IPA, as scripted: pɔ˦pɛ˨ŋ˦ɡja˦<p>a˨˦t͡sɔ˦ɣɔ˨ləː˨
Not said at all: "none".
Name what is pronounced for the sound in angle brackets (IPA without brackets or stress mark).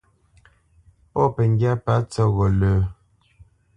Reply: p